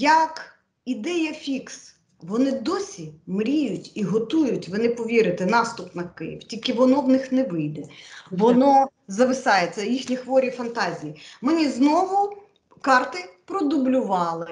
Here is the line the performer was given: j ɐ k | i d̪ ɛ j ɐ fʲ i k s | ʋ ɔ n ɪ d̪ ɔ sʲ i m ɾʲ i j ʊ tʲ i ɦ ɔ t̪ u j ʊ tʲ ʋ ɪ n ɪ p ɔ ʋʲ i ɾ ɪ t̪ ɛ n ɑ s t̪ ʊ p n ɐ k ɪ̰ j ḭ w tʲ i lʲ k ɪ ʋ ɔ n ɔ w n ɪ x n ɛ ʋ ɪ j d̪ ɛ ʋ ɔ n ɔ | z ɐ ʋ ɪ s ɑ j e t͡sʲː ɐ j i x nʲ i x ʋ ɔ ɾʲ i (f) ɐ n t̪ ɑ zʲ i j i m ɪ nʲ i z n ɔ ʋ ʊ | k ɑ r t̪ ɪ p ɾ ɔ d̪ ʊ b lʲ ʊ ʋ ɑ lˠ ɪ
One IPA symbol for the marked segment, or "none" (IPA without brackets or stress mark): f